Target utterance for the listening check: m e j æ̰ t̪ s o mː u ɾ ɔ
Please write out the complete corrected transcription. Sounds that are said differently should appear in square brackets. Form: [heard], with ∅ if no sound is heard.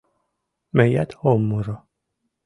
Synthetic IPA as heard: m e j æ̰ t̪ [h] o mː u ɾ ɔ